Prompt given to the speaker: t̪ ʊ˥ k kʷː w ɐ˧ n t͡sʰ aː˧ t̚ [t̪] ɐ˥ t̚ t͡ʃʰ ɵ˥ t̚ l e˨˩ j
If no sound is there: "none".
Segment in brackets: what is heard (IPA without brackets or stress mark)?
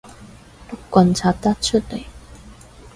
t̪